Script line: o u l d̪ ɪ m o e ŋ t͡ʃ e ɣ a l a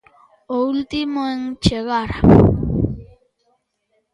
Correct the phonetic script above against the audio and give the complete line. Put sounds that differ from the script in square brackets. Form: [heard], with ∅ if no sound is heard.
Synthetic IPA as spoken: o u l [t̪] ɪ m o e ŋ t͡ʃ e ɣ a [ɾ] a